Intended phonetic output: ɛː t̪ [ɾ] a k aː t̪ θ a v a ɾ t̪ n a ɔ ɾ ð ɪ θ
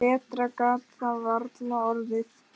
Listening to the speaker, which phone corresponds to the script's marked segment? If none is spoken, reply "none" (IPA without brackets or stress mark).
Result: ɾ